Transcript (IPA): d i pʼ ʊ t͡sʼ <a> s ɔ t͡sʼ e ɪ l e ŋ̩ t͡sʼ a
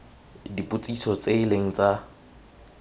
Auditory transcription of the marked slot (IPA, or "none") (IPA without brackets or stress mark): i